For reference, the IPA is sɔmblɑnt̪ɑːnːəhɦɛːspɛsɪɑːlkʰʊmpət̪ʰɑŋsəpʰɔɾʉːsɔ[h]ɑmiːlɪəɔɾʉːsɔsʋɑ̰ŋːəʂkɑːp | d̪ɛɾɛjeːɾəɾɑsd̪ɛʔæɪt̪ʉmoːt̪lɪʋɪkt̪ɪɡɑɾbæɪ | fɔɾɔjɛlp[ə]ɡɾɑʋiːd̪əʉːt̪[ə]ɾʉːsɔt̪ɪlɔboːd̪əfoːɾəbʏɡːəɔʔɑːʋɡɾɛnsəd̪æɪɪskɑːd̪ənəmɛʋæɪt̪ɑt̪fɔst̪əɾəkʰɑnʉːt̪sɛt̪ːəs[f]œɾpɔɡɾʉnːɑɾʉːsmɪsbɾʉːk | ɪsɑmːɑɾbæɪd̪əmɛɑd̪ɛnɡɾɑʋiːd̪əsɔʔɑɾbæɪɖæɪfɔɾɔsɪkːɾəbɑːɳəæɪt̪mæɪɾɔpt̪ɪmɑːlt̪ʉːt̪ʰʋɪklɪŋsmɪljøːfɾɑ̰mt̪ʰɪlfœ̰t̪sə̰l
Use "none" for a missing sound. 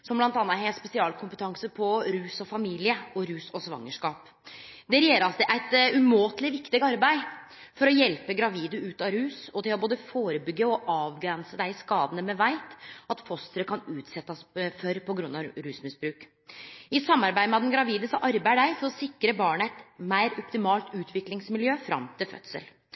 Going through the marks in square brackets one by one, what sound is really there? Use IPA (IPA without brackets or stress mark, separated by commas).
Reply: f, ə, ɑ, f